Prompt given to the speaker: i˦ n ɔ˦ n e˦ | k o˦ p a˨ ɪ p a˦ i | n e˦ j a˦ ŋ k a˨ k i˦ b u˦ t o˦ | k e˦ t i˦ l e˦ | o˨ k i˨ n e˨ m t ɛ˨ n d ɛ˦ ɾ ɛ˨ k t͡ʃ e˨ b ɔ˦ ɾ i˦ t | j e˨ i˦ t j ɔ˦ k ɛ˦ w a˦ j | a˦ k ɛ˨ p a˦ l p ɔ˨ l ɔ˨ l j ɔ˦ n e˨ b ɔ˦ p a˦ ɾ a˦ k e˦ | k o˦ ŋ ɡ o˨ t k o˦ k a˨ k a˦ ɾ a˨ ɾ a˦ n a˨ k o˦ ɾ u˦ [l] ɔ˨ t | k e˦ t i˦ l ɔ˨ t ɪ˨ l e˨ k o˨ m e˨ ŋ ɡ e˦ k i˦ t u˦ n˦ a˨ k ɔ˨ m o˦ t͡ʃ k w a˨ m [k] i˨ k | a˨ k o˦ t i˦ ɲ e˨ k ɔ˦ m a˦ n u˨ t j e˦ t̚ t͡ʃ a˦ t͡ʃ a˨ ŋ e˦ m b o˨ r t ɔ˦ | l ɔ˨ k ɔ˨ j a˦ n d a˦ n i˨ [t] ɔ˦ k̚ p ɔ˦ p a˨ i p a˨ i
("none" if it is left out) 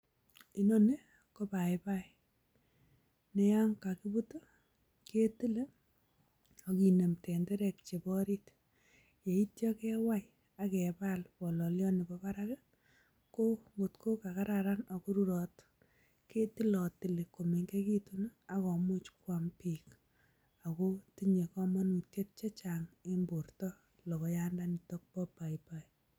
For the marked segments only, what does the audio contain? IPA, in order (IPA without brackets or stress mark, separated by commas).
ɾ, p, t